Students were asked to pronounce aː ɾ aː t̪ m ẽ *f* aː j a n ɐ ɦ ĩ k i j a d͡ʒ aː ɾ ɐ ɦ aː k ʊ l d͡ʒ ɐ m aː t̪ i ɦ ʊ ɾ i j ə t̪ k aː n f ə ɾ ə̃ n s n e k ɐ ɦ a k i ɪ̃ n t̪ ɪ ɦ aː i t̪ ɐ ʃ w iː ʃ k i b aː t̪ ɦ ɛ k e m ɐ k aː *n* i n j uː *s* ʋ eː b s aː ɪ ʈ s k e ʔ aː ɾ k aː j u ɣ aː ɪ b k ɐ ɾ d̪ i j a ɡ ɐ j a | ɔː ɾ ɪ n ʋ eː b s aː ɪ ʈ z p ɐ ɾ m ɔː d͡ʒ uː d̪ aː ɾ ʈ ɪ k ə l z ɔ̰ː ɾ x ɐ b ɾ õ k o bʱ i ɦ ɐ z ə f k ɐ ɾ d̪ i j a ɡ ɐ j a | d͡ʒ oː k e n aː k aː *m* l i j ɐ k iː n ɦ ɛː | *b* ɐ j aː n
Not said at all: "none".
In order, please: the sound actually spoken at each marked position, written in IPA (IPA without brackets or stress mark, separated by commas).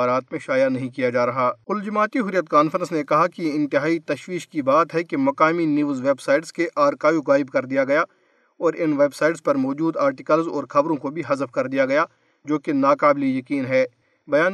ʃ, m, z, b, b